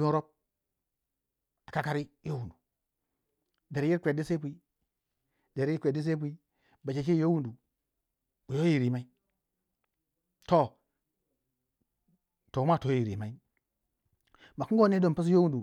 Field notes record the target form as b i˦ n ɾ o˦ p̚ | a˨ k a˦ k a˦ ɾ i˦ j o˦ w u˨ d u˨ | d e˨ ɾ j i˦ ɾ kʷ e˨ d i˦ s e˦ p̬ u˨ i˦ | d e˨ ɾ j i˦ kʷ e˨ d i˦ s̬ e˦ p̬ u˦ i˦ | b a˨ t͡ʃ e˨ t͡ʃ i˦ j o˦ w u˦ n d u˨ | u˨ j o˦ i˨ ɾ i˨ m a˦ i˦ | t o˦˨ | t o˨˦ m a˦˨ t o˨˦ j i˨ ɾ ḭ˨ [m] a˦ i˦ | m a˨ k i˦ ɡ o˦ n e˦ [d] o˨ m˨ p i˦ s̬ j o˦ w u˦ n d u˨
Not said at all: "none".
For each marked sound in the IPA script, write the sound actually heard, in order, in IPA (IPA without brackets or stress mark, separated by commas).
m, d